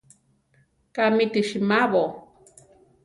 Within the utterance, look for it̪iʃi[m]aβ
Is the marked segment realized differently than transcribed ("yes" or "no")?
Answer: no